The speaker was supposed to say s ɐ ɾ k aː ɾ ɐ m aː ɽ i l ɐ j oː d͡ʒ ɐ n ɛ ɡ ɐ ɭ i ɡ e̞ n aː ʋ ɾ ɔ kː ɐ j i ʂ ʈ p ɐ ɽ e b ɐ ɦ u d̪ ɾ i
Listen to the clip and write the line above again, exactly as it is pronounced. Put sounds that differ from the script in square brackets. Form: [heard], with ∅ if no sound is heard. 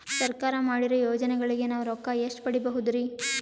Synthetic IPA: s ɐ ɾ k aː ɾ ɐ m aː ɽ i [ɾ] ɐ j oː d͡ʒ ɐ n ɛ ɡ ɐ ɭ i ɡ e̞ n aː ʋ ɾ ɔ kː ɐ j [e] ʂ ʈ p ɐ ɽ [i] b ɐ ɦ u d̪ ɾ i